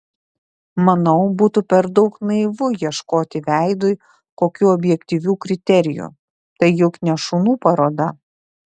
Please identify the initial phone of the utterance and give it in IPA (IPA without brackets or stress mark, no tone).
m